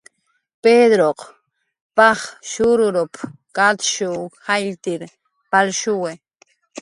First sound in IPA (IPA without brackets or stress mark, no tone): p